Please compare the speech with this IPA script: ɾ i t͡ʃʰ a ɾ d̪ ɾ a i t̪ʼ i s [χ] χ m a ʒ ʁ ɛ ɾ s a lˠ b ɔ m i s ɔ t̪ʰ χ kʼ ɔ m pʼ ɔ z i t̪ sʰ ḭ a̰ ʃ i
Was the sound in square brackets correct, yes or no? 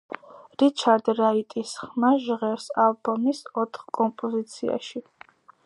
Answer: yes